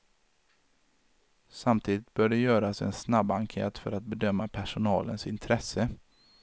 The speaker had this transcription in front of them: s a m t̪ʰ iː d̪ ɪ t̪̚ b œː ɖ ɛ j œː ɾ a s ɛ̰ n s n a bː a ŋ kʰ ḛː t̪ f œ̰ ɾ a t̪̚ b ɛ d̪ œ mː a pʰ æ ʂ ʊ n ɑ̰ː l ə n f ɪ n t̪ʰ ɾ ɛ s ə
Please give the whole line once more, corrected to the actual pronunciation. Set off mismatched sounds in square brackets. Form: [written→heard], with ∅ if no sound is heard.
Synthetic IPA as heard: s a m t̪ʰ iː d̪ ɪ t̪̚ b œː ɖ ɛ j œː ɾ a s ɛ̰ n s n a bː a ŋ kʰ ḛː t̪ f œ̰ ɾ a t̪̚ b ɛ d̪ œ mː a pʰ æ ʂ ʊ n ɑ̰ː l ə n [f→s] ɪ n t̪ʰ ɾ ɛ s ə

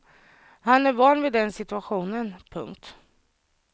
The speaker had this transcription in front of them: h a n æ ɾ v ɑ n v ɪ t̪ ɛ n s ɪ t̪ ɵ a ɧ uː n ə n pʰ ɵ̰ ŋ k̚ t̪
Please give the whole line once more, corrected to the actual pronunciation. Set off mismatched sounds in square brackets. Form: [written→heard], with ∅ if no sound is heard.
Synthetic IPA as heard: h a n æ ɾ v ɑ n v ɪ [t̪→d̪] ɛ n s ɪ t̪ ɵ a ɧ uː n ə n pʰ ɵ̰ ŋ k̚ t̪

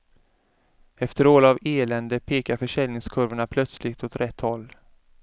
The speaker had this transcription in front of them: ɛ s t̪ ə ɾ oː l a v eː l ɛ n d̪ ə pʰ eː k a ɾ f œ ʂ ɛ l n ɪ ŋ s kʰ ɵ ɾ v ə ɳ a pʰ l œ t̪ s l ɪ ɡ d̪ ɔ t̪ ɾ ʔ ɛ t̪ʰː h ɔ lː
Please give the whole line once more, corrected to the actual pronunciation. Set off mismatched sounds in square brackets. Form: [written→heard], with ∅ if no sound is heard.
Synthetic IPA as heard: ɛ [s→f] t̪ ə ɾ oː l a v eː l ɛ n d̪ ə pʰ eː k a ɾ f œ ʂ ɛ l n ɪ ŋ s kʰ ɵ ɾ v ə ɳ a pʰ l œ t̪ s l ɪ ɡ [d̪→t̪] ɔ t̪ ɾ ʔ ɛ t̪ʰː h ɔ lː

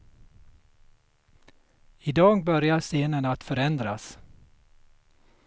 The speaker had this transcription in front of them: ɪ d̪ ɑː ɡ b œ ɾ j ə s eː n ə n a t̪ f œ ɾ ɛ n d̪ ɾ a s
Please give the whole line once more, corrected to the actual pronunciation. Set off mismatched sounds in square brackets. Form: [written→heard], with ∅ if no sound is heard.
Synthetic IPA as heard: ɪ d̪ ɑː ɡ b œ ɾ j [ə→a] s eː n ə n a t̪ f œ ɾ ɛ n d̪ ɾ a s

